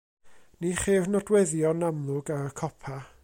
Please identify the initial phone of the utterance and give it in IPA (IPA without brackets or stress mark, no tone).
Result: n